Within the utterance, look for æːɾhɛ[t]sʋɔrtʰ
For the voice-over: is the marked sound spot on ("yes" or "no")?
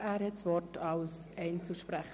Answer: yes